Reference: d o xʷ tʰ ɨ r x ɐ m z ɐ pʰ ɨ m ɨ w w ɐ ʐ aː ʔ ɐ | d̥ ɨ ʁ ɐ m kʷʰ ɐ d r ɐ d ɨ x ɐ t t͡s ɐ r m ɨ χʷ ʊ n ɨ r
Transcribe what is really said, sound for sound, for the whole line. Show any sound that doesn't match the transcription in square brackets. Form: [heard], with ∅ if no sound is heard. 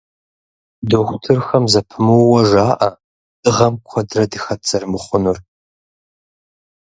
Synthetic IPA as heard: d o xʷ tʰ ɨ r x ɐ m z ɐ pʰ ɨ m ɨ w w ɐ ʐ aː ʔ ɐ | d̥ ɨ ʁ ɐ m kʷʰ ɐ d r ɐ d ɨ x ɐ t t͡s ɐ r m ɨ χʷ ʊ n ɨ r